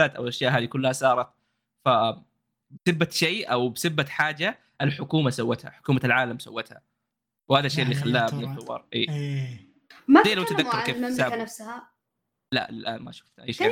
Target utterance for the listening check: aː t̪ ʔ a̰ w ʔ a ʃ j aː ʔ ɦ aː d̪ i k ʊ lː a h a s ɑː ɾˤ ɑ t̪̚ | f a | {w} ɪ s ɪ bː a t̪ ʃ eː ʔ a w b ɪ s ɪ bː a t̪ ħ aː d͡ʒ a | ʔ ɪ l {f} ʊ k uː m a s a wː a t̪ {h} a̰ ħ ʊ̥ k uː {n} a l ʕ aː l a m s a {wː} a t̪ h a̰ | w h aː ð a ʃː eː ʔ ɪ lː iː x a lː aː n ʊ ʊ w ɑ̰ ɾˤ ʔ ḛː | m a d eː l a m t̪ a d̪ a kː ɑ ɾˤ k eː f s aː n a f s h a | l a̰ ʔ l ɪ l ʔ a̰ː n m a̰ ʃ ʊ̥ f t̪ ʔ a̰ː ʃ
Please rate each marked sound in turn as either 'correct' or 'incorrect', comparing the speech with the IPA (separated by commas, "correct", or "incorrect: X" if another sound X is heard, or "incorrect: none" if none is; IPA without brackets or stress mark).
incorrect: b, incorrect: ħ, correct, incorrect: m, correct